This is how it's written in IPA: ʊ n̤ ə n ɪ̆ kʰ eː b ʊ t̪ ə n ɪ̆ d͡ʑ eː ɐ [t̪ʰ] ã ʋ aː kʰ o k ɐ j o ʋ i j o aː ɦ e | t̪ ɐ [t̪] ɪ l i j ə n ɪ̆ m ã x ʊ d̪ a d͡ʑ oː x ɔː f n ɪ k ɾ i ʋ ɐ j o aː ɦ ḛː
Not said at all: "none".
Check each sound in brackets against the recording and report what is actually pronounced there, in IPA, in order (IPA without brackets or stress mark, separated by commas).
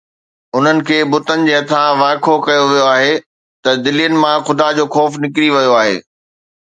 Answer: t̪ʰ, d̪